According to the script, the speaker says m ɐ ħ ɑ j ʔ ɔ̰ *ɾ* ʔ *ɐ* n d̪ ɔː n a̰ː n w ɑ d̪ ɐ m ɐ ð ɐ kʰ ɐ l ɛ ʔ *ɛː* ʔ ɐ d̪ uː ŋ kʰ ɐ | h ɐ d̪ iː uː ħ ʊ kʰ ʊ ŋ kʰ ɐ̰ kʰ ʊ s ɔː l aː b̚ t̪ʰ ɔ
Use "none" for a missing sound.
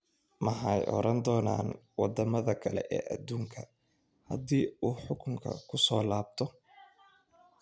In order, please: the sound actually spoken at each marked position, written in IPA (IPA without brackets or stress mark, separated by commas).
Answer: ɾ, ɐ, ɛː